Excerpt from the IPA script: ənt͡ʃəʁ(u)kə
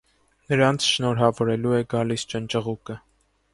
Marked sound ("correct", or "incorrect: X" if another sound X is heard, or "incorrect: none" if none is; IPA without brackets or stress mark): correct